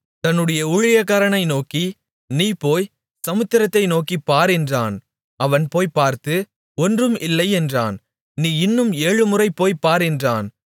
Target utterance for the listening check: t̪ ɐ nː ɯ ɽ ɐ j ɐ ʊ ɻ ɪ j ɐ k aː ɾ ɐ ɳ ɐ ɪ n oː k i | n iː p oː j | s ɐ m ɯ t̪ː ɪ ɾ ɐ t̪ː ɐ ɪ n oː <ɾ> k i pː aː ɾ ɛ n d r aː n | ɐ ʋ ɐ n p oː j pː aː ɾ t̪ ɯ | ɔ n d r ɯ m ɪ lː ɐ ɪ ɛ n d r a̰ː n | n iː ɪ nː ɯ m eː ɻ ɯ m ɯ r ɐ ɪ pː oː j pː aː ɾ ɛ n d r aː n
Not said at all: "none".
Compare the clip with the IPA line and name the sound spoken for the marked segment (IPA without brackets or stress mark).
none